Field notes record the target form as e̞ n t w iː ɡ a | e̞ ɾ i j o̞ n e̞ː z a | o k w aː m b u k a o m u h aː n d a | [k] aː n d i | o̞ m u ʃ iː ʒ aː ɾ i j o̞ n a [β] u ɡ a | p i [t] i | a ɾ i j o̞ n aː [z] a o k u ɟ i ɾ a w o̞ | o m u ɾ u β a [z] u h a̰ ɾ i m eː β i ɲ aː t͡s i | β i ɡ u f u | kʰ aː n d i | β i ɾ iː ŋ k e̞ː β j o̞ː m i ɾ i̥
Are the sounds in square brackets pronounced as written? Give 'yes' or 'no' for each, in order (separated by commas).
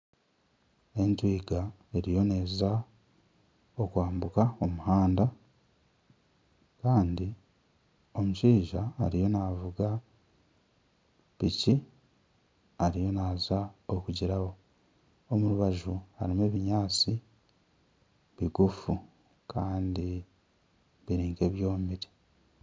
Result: yes, no, no, yes, no